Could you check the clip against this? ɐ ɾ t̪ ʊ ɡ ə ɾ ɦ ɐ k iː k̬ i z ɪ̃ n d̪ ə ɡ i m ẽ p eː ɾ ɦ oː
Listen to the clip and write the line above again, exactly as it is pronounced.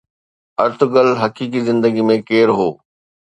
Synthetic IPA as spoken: ɐ ɾ t̪ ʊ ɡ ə l ɦ ɐ k iː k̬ i z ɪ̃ n d̪ ə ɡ i m ẽ k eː ɾ ɦ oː

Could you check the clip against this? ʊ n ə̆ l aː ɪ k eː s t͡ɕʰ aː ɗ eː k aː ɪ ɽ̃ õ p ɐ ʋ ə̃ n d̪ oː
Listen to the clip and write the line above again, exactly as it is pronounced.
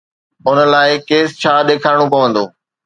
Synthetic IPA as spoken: ʊ n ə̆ l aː ɪ k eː s t͡ɕʰ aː ɗ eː kʰ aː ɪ ɽ̃ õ p ɐ ʋ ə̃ n d̪ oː

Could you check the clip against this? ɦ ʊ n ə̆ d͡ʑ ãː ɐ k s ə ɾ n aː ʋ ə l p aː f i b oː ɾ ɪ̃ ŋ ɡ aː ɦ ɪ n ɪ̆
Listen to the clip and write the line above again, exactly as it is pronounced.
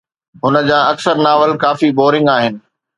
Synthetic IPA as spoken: ɦ ʊ n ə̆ d͡ʑ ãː ɐ k s ə ɾ n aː ʋ ə l k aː f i b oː ɾ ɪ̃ ŋ ɡ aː ɦ ɪ n ɪ̆

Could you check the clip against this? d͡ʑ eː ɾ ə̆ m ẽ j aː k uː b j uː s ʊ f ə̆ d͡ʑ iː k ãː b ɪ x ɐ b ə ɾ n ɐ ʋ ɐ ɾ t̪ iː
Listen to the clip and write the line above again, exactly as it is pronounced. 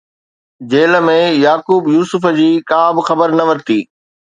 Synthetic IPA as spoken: d͡ʑ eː l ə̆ m ẽ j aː k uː b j uː s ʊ f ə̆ d͡ʑ iː k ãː b ɪ x ɐ b ə ɾ n ɐ ʋ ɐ ɾ t̪ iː

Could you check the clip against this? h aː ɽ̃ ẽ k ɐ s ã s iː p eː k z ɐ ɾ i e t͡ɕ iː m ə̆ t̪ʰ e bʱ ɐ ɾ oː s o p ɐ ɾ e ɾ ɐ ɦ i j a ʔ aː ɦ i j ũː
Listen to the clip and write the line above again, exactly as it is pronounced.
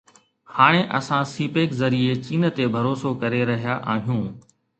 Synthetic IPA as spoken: h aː ɽ̃ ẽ ʔ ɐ s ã s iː p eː k z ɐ ɾ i e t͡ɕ iː n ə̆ t̪ e bʱ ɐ ɾ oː s o k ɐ ɾ e ɾ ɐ ɦ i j a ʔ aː ɦ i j ũː

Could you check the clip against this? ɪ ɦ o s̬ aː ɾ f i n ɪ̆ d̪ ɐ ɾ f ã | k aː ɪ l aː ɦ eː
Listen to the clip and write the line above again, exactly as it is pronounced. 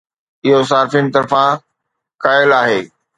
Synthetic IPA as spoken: ɪ ɦ o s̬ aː ɾ f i n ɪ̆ t̪ ɐ ɾ f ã | k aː ɪ l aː ɦ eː

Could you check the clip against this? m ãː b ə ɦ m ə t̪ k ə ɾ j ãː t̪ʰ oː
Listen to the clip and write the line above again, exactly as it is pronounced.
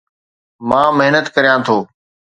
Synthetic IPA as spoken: m ãː m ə ɦ n ə t̪ k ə ɾ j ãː t̪ʰ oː

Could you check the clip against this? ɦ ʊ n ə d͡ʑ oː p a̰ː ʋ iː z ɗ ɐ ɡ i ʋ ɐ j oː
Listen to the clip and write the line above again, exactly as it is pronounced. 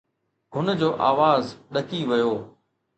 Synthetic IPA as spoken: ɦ ʊ n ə d͡ʑ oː ʔ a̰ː ʋ aː z ɗ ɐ k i ʋ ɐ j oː

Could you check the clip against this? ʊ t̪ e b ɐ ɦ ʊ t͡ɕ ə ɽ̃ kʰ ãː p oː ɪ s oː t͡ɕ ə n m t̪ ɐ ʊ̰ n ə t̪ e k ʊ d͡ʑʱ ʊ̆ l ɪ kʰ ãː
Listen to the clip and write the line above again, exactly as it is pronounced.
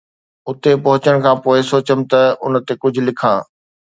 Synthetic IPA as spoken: ʊ t̪ e p ɐ ɦ ʊ t͡ɕ ə ɽ̃ kʰ ãː p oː ɪ s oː t͡ɕ ə m t̪ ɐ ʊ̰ n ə t̪ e k ʊ d͡ʑʱ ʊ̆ l ɪ kʰ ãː

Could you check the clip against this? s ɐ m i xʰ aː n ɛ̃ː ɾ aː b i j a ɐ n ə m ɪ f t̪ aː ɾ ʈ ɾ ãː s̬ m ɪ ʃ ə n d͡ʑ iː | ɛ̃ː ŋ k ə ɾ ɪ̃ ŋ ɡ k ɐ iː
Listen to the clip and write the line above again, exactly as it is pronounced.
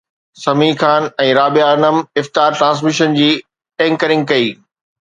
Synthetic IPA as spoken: s ɐ m i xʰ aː n ɛ̃ː ɾ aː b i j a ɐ n ə m ɪ f t̪ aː ɾ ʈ ɾ ãː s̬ m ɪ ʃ ə n d͡ʑ iː | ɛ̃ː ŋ k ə ɾ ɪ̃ ŋ ɡ k ɐ iː

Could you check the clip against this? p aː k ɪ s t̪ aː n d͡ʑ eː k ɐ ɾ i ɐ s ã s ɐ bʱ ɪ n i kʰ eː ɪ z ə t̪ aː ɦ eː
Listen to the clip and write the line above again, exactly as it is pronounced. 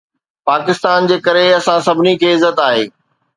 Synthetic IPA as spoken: p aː k ɪ s t̪ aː n d͡ʑ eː k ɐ ɾ e ɐ s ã s ɐ bʱ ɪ n i kʰ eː ɪ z ə t̪ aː ɦ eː

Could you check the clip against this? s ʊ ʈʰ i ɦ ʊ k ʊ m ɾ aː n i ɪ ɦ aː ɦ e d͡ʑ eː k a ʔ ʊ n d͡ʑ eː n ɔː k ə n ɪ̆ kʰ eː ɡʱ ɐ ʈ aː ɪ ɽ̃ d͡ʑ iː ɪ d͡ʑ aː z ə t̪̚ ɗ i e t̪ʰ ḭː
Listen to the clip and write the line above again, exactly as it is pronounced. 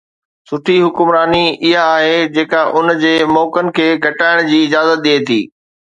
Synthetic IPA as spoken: s ʊ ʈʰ i ɦ ʊ k ʊ m ɾ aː n i ɪ ɦ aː ɦ e d͡ʑ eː k a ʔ ʊ n d͡ʑ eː m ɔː k ə n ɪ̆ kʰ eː ɡʱ ɐ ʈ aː ɪ ɽ̃ d͡ʑ iː ɪ d͡ʑ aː z ə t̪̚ ɗ i e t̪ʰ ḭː

